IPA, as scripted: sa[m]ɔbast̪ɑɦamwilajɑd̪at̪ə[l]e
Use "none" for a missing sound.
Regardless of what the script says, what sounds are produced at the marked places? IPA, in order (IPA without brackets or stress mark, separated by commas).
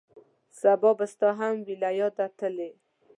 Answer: b, l